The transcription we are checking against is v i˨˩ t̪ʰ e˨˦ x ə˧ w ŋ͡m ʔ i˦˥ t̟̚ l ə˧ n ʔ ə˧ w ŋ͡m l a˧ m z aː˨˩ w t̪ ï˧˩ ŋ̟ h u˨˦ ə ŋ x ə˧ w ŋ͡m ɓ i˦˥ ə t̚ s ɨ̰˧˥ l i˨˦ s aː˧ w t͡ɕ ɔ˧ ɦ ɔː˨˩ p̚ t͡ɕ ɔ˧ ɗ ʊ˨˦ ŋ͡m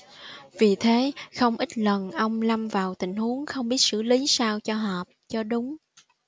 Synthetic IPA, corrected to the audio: v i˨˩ t̪ʰ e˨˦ x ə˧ w ŋ͡m ʔ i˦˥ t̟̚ l ə˨˩ n ʔ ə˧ w ŋ͡m l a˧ m v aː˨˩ w t̪ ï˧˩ ŋ̟ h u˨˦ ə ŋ x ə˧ w ŋ͡m ɓ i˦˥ ə t̚ s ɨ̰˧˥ l i˨˦ s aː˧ w t͡ɕ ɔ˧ ɦ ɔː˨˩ p̚ t͡ɕ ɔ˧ ɗ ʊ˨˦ ŋ͡m